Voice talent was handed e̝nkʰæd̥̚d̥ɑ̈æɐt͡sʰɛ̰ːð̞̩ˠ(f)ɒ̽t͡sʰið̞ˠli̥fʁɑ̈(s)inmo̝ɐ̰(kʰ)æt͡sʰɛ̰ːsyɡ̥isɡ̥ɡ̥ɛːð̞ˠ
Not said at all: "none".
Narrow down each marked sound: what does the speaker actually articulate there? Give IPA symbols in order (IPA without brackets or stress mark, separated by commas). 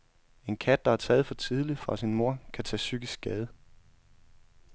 f, s, kʰ